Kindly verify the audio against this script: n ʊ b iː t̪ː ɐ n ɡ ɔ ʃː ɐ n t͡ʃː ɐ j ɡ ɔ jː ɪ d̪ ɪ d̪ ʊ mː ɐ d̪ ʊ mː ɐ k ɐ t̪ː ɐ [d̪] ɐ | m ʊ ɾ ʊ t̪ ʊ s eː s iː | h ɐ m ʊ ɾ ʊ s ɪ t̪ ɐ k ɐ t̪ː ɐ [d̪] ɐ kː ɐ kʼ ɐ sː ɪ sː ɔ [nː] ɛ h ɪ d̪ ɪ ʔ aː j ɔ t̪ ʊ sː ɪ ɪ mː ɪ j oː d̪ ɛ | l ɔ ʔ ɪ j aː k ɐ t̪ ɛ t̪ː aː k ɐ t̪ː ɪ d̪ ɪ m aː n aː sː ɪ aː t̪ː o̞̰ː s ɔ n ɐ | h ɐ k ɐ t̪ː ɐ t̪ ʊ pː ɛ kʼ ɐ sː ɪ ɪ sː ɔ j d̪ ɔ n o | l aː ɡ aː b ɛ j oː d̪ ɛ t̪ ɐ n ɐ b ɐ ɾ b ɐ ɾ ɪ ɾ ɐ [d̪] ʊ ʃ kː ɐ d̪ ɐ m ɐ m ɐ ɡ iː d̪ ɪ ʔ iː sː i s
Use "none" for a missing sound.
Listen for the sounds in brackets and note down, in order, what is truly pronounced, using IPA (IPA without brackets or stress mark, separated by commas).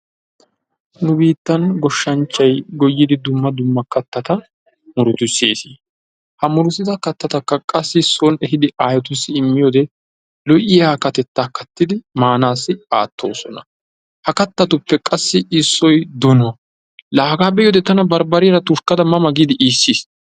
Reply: t̪, t̪, n, t̪